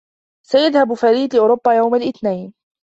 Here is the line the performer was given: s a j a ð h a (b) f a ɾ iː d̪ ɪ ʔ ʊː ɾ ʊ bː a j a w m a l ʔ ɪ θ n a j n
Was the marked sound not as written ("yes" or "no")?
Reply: no